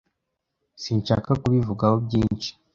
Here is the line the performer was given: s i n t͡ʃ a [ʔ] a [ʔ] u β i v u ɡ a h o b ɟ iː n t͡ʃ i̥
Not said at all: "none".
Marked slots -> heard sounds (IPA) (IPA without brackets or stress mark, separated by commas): k, k